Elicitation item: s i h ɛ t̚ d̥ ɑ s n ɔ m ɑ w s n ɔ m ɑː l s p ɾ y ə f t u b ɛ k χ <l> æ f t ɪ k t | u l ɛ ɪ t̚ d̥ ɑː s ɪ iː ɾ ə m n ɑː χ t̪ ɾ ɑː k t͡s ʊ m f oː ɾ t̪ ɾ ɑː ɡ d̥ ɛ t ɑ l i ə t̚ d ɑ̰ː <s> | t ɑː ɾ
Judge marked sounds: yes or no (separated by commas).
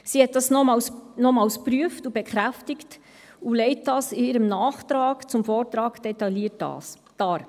no, yes